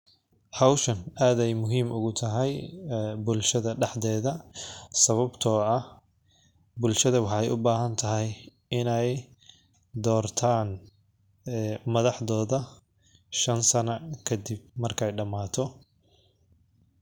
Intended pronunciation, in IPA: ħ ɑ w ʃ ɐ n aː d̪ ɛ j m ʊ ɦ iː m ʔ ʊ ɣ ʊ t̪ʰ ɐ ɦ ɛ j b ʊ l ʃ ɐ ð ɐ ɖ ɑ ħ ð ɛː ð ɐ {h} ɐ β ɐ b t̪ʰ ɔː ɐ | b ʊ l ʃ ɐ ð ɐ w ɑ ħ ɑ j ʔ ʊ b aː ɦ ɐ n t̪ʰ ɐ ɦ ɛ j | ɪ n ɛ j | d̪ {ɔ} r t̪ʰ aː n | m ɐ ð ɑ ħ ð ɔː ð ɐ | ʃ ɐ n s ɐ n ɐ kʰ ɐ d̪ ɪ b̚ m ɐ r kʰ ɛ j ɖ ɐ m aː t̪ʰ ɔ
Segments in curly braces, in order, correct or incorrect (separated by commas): incorrect, incorrect